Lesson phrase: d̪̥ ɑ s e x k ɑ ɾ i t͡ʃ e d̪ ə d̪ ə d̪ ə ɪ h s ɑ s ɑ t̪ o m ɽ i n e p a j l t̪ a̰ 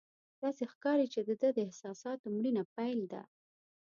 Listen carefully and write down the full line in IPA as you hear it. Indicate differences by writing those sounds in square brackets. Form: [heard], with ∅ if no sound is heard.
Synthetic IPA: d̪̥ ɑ s e x k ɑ ɾ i t͡ʃ e d̪ ə d̪ ə d̪ ə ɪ h s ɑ s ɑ t̪ o m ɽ i n [a] p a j l [d̪] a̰